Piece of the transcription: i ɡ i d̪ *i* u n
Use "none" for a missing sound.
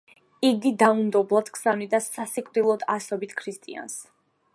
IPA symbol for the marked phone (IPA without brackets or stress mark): a